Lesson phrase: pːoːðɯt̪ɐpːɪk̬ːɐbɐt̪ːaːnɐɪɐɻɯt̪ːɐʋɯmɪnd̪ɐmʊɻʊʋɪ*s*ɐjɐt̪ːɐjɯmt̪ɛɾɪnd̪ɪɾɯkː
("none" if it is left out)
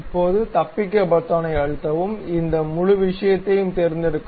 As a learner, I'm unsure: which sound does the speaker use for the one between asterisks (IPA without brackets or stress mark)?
ʂ